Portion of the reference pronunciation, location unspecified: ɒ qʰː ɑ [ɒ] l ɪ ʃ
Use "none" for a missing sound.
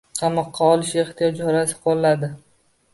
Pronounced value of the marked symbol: ɒ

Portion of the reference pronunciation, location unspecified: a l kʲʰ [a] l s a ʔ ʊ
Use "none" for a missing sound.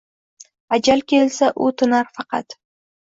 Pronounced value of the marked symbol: e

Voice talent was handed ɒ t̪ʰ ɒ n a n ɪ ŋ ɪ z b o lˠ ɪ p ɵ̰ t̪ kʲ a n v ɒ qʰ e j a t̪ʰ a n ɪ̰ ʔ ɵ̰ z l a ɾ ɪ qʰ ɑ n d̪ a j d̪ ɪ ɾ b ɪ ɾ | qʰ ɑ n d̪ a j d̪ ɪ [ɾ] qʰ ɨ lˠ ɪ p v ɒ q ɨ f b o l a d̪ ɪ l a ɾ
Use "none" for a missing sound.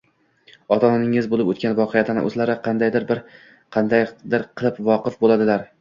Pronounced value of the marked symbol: ɾ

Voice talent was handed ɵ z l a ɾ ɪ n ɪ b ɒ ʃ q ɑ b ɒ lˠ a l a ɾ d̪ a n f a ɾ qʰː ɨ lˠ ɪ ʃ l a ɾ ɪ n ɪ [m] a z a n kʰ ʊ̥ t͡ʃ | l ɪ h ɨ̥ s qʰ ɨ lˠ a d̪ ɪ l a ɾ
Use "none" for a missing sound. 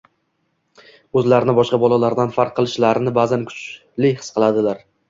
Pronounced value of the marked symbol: b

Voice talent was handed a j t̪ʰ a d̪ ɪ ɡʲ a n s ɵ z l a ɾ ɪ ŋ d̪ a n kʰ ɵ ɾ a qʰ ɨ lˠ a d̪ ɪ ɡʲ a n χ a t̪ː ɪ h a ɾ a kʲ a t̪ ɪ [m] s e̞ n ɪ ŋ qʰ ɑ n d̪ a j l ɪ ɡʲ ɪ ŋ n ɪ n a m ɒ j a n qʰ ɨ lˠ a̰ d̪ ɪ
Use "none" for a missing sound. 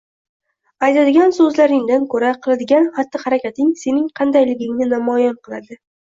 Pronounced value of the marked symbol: ŋ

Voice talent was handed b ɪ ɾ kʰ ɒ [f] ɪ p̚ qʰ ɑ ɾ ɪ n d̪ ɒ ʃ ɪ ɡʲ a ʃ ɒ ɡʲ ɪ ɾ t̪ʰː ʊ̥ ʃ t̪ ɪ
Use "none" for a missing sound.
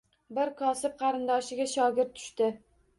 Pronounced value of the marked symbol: s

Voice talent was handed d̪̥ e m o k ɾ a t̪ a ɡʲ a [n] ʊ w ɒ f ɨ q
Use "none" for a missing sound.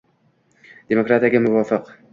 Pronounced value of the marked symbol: m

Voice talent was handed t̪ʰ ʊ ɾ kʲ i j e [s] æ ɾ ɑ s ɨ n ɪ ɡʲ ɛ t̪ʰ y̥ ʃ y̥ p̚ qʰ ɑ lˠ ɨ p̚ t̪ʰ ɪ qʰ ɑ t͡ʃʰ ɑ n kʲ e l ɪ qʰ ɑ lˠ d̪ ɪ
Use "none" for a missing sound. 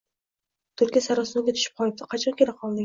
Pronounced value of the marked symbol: s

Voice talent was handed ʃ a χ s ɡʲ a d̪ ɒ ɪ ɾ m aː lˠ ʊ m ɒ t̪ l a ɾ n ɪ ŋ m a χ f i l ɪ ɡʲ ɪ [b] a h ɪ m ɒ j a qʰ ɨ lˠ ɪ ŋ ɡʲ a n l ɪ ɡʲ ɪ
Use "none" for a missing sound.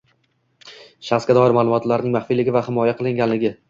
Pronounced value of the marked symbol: v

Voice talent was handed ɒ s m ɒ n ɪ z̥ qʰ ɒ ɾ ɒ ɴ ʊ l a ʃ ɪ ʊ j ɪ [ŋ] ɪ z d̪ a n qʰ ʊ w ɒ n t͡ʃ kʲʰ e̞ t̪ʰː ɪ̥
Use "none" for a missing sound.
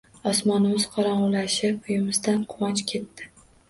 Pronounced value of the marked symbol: m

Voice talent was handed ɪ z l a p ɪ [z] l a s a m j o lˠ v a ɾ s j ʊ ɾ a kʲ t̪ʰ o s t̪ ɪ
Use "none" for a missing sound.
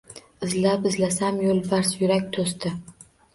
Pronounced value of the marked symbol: z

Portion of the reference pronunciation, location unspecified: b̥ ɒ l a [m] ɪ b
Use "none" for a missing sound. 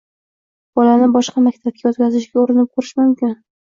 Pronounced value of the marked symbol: n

